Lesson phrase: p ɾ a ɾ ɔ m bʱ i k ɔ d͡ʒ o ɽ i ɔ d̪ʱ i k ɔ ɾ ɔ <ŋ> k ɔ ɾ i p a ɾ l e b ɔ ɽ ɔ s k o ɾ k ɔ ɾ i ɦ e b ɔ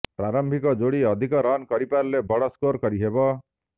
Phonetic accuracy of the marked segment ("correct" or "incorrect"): incorrect